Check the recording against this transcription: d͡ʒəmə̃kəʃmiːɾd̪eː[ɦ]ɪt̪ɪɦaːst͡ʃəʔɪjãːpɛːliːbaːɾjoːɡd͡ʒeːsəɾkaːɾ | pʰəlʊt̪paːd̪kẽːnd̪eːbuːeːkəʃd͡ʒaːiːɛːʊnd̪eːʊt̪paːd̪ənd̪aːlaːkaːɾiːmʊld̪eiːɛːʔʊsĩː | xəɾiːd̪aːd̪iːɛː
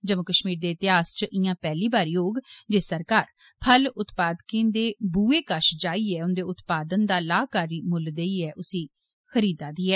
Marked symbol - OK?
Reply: no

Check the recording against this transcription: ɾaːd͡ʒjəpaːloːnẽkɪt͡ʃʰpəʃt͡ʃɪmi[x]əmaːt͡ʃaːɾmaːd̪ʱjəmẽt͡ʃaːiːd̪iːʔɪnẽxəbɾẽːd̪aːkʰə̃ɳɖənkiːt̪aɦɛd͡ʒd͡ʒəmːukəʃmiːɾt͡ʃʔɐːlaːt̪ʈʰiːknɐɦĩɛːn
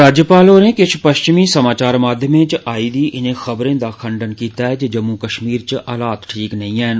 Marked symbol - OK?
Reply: no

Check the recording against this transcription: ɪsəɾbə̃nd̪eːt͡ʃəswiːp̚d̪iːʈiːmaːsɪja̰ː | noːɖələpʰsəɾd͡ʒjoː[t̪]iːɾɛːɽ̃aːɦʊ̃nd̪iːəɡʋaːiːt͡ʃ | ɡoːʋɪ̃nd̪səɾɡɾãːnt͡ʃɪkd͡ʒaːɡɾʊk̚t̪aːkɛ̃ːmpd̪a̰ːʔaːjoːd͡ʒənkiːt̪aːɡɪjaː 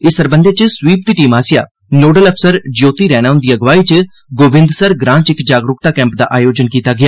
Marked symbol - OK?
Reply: yes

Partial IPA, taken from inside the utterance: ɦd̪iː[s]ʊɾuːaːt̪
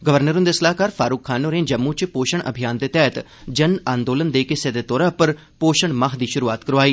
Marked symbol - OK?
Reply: no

